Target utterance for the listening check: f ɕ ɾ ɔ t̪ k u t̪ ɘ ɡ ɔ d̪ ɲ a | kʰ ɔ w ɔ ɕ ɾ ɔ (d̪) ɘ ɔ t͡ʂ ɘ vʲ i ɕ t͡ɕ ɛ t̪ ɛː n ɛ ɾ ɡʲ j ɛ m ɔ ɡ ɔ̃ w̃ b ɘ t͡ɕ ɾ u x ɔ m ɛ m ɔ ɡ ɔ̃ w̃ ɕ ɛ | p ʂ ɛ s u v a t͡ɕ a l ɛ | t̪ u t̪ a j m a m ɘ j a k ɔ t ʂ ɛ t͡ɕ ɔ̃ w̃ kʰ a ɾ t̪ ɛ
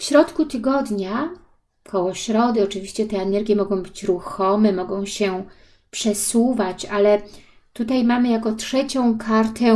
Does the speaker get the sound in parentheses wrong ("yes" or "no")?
no